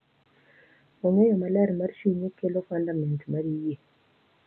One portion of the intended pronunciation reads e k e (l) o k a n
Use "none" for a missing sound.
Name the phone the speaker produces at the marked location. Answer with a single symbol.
l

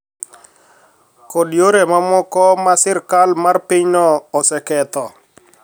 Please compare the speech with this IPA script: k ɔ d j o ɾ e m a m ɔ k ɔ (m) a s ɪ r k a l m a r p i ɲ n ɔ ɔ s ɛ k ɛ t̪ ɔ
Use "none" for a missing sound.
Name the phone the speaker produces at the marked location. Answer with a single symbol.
m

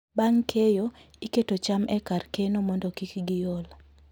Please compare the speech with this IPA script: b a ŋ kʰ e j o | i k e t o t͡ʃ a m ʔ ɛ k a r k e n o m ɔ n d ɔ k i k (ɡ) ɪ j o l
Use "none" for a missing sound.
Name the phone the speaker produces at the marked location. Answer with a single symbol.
ɡ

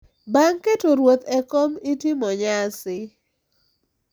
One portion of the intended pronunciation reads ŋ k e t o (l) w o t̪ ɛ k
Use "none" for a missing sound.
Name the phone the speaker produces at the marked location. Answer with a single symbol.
ɾ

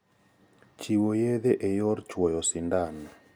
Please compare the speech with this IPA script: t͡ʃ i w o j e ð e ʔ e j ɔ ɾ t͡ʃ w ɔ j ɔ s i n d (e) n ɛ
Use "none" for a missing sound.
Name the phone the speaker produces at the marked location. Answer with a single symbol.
a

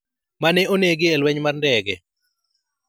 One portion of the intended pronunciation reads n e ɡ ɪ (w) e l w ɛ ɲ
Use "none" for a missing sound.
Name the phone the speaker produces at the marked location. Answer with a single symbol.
none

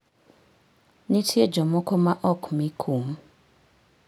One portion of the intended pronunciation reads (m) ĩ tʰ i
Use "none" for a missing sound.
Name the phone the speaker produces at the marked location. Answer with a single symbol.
n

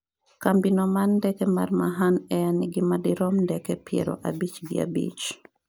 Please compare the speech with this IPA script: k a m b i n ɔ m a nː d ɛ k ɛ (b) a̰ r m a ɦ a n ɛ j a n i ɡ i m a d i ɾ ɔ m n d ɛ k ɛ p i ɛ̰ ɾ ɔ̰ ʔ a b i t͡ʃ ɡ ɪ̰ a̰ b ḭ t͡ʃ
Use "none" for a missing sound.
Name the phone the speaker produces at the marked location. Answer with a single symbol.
m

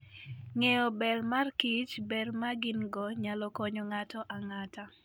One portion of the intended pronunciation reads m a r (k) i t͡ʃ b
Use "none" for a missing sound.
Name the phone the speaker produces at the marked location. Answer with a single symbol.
k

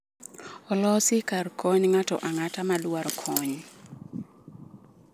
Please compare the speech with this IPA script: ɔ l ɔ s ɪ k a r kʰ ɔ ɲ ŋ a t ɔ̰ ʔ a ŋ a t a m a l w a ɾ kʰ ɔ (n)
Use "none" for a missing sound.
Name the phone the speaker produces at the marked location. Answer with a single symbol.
ɲ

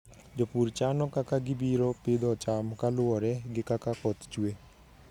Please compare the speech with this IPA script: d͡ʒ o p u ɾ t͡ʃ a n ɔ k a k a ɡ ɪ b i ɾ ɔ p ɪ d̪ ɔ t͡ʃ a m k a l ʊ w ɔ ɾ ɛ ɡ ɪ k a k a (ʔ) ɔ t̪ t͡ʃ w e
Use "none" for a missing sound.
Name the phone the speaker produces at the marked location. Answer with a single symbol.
k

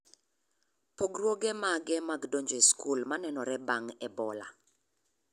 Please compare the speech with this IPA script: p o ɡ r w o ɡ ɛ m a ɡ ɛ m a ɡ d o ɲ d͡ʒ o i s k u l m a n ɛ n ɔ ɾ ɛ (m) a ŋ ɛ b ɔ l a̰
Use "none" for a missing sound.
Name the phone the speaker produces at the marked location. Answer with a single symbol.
b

